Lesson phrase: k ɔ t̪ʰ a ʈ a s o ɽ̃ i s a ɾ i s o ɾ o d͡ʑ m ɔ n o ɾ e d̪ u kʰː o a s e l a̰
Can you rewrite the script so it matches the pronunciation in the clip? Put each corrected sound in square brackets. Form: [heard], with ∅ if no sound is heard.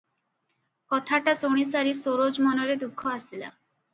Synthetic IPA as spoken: k ɔ t̪ʰ a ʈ a s o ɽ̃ i s a ɾ i s o ɾ o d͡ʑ m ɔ n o ɾ e d̪ u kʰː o a s [i] l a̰